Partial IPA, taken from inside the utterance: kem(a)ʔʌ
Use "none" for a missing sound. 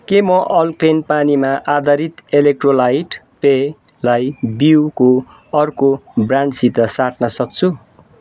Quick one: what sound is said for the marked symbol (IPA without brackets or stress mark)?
ʌ